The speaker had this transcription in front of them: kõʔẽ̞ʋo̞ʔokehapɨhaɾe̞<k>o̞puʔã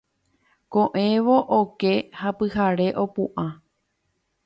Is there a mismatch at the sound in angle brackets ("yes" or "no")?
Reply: yes